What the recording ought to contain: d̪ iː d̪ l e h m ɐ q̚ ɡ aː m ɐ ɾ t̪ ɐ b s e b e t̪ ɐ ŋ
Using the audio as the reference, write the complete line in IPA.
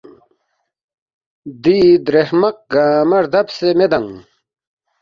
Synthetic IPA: d̪ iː d̪ ɾ e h m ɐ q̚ ɡ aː m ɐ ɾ d̪ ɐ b s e m e d̪ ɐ ŋ